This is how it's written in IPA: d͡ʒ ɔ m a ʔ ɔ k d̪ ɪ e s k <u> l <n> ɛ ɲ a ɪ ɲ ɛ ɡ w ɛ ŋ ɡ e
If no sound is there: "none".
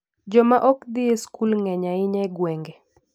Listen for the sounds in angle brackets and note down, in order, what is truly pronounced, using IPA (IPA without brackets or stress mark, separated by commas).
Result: u, ŋ